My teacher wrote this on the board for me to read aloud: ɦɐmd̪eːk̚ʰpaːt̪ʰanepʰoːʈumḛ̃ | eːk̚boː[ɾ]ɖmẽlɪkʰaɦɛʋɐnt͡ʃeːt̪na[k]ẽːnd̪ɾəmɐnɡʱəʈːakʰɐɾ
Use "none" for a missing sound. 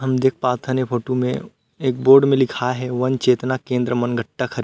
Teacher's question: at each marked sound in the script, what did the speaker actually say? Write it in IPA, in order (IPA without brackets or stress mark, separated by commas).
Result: ɾ, k